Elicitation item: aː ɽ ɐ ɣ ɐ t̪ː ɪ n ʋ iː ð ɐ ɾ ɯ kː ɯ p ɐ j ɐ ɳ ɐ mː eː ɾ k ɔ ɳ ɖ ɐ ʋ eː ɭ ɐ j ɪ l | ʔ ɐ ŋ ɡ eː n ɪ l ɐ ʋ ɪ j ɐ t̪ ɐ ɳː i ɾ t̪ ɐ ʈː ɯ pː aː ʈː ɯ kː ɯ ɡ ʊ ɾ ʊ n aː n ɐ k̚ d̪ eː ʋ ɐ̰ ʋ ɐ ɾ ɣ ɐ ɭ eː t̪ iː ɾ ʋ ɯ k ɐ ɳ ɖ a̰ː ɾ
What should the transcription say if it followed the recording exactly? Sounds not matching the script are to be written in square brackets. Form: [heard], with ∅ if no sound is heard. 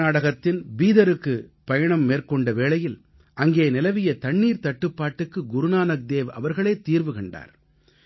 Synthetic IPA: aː ɽ ɐ ɣ ɐ t̪ː ɪ n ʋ iː ð ɐ ɾ ɯ kː ɯ p ɐ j ɐ ɳ ɐ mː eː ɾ k ɔ ɳ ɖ ɐ ʋ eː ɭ ɐ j ɪ l | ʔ ɐ ŋ ɡ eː n ɪ l ɐ ʋ ɪ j ɐ t̪ ɐ ɳː [iː] ɾ t̪ ɐ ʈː ɯ pː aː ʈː ɯ kː ɯ ɡ ʊ ɾ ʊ n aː n ɐ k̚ d̪ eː ʋ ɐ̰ ʋ ɐ ɾ ɣ ɐ ɭ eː t̪ iː ɾ ʋ ɯ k ɐ ɳ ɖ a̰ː ɾ